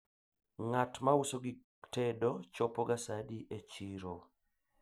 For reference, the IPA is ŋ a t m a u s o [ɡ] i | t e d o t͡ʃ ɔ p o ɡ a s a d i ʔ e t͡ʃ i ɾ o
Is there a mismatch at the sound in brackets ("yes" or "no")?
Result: no